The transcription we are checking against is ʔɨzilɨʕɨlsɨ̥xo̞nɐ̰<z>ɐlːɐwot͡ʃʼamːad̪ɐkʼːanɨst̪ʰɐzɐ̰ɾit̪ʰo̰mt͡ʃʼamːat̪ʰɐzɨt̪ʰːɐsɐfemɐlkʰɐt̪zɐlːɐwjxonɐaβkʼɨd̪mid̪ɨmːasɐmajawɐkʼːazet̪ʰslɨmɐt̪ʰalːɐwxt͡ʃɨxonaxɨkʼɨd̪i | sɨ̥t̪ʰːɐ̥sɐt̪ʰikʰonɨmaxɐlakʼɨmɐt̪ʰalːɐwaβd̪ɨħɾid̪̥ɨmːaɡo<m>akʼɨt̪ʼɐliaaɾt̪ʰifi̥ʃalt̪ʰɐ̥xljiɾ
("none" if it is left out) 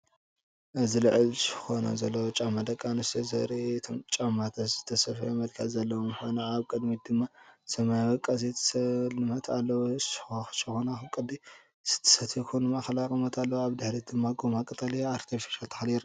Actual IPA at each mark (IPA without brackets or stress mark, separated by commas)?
z, m